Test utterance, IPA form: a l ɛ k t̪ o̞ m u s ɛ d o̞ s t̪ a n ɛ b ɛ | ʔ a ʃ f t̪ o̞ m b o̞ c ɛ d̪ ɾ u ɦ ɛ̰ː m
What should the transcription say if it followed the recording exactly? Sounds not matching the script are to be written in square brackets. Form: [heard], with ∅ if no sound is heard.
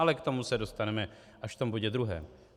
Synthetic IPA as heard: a l ɛ k t̪ o̞ m u s ɛ d o̞ s t̪ a n ɛ [m] ɛ | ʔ a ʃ f t̪ o̞ m b o̞ [ɟ] ɛ d̪ ɾ u ɦ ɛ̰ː m